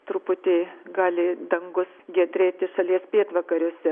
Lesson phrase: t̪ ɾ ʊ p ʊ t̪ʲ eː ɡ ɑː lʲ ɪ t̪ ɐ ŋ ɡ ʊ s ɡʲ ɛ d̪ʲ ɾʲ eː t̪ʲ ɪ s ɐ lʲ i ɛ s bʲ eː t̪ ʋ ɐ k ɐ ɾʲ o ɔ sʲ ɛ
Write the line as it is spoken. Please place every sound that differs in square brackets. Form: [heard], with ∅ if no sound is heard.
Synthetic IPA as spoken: t̪ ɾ ʊ p ʊ t̪ʲ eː ɡ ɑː lʲ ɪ [d̪] ɐ ŋ ɡ ʊ s ɡʲ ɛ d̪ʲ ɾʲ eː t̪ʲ ɪ [ʃ] ɐ lʲ i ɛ s [pʲ] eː t̪ ʋ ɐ k ɐ ɾʲ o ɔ sʲ ɛ